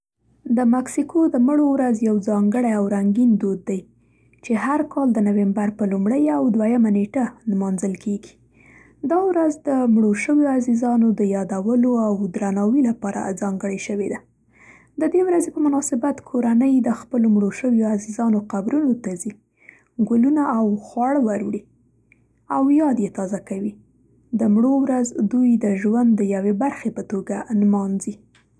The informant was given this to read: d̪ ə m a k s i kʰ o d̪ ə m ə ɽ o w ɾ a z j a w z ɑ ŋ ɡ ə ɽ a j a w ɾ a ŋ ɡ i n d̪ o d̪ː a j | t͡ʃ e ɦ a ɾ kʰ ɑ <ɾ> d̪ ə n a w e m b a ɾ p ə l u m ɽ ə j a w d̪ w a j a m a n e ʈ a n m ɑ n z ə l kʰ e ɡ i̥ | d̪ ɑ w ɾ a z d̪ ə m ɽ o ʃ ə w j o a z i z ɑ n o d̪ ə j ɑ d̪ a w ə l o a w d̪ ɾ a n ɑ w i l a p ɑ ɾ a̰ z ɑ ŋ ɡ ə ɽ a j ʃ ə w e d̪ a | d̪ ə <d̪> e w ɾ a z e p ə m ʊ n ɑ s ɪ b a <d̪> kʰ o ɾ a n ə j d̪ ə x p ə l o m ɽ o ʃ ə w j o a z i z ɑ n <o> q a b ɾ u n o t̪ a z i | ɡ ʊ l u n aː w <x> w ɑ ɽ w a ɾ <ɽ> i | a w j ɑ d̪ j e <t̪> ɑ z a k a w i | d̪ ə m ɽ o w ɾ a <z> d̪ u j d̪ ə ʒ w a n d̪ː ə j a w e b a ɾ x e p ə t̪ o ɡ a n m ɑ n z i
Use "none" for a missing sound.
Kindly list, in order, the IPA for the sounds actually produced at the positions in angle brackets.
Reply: l, d̪, t̪, o, x, ɽ, t̪, z

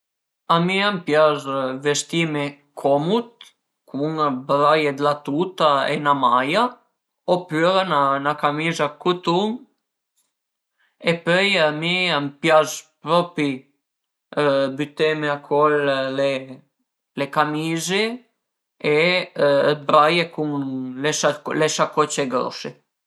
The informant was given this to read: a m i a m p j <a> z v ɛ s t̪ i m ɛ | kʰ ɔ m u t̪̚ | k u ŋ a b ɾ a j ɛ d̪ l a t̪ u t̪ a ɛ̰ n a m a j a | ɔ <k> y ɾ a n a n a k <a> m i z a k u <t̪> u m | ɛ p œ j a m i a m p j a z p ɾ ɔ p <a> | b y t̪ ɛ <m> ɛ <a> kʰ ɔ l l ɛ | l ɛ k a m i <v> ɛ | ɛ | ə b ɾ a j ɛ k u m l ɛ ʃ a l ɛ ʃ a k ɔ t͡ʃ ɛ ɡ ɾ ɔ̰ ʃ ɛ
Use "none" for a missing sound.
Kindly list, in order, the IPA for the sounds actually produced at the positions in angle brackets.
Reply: a, p, a, t̪, i, m, a, z

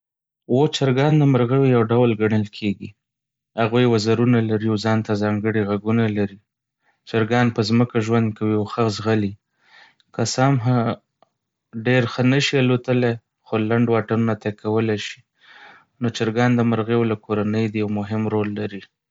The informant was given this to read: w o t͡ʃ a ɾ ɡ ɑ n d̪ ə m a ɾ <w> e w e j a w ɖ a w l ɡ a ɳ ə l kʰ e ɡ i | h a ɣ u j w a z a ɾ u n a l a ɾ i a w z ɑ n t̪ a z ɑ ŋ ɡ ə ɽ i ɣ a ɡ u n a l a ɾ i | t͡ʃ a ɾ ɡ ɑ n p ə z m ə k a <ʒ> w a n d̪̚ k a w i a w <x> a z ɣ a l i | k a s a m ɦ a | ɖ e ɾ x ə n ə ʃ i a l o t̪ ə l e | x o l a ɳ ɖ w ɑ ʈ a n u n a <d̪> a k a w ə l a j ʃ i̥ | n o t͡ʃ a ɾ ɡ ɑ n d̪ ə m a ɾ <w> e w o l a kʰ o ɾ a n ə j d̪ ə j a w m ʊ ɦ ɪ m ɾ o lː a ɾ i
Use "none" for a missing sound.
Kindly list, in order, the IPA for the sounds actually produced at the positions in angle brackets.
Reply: ɣ, ʒ, x, t̪, ɣ

